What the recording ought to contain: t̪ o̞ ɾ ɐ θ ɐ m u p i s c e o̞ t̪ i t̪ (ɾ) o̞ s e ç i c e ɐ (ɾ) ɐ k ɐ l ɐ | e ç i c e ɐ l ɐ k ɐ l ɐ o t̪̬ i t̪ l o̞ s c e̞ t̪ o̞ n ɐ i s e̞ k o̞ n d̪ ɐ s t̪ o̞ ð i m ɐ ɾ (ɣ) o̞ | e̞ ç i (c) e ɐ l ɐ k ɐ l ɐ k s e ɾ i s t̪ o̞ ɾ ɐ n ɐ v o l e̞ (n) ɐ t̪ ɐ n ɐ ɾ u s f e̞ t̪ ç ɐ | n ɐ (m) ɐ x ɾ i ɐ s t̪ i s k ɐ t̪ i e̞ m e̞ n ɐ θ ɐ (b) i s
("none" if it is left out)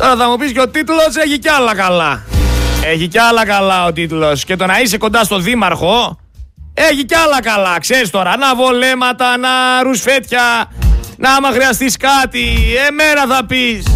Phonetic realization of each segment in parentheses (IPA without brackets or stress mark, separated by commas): l, l, x, c, m, m, p